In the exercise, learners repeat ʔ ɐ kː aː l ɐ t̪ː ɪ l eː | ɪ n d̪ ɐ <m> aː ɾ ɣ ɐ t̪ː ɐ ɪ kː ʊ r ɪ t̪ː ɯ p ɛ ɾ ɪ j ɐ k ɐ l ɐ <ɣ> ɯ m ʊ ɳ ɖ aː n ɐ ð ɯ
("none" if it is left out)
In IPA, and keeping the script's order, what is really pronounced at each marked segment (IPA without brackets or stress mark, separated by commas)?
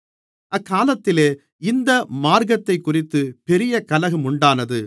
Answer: m, ɣ